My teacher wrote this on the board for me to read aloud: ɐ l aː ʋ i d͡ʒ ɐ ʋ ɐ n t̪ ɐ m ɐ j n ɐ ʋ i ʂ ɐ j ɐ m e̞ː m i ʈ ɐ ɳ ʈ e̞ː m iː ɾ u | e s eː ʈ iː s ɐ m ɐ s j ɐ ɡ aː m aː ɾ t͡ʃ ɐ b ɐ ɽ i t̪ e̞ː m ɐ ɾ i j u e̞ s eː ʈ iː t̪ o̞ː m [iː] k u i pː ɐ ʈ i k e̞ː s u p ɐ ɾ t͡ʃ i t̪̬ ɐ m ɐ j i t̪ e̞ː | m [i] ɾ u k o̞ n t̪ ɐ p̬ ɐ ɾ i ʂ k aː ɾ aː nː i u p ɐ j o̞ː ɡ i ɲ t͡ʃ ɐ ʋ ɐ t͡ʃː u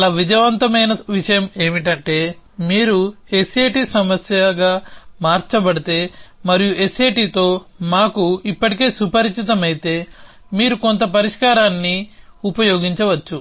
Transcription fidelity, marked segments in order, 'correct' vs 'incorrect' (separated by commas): incorrect, incorrect